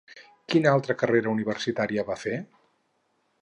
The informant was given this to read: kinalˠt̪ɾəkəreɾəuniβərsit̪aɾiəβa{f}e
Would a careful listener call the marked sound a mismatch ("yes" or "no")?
no